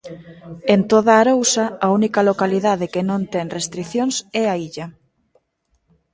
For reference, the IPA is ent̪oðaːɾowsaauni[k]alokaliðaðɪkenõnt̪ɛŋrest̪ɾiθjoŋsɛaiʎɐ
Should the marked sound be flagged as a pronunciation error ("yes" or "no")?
no